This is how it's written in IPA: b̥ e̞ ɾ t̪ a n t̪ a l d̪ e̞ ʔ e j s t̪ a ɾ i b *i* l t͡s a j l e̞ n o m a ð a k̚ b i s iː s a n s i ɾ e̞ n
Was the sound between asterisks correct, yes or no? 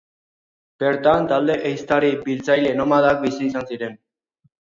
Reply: yes